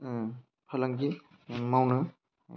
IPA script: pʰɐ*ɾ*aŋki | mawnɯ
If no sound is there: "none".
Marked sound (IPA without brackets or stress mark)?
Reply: l